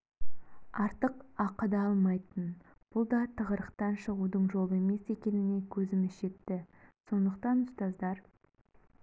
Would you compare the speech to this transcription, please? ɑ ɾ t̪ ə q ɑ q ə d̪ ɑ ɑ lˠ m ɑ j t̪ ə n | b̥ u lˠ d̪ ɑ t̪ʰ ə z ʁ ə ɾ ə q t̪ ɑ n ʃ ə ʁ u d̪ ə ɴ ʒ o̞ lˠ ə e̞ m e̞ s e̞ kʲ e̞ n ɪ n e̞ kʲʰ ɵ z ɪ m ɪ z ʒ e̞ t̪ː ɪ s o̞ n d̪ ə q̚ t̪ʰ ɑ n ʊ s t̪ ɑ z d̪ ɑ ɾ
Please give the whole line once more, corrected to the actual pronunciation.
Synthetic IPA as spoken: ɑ ɾ t̪ ə q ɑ q ə d̪ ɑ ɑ lˠ m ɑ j t̪ ə n | b̥ ʊ lˠ d̪ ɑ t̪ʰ ə ʁ ə ɾ ə q t̪ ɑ n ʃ ə ʁ u d̪ ə ɴ ʒ o̞ lˠ ə e̞ m e̞ s e̞ kʲ e̞ n ɪ n e̞ kʲʰ ɵ z ɪ m ɪ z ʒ e̞ t̪ː ɪ s o̞ n d̪ ə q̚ t̪ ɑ n ʊ s t̪ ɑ z d̪ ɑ ɾ